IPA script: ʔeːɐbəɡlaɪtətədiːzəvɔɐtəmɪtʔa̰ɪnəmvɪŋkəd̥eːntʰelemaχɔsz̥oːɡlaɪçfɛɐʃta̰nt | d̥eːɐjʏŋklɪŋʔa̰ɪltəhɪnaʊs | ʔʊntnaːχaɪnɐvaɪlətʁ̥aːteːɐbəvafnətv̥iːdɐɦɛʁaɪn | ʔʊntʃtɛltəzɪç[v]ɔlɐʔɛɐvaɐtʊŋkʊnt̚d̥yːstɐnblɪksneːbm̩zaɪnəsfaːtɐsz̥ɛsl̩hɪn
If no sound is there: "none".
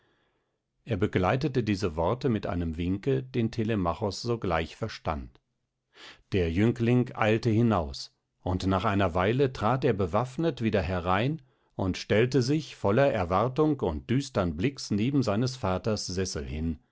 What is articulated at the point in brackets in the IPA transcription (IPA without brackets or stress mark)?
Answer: f